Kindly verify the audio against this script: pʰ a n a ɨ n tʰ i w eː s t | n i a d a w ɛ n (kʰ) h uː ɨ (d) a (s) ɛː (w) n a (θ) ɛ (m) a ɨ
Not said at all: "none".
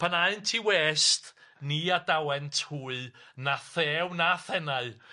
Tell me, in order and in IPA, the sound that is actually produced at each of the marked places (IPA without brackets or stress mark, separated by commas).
tʰ, n, θ, w, θ, n